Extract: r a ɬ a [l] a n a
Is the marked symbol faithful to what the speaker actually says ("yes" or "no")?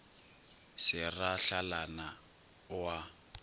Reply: yes